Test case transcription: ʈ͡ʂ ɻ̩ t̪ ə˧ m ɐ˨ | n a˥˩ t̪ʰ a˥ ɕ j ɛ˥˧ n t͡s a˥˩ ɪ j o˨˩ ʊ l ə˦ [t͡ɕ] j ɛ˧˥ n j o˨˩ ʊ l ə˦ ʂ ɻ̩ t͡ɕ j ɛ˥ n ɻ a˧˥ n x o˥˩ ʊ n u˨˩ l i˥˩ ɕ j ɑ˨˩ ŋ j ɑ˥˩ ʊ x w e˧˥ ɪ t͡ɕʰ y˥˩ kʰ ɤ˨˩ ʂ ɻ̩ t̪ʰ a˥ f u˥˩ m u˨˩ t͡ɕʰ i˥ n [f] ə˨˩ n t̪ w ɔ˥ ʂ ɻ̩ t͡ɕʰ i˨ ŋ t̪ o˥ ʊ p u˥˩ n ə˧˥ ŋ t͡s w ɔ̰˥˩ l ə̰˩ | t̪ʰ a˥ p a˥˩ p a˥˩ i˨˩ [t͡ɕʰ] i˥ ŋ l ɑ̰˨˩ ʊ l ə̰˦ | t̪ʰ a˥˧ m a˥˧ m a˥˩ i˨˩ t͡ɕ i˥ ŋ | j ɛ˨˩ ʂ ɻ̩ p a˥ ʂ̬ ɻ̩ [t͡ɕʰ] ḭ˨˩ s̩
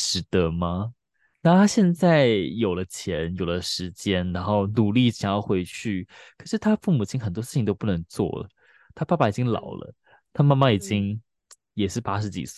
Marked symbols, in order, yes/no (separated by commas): no, no, no, no